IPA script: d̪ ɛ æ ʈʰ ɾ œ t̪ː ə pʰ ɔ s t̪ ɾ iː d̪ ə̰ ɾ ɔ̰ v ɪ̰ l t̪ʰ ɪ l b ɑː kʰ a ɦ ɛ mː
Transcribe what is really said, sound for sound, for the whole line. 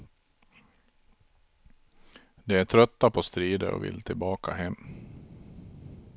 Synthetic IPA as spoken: d̪ ɛ æ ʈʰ ɾ œ t̪ː a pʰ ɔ s t̪ ɾ iː d̪ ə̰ ɾ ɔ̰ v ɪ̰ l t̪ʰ ɪ l b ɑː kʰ a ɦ ɛ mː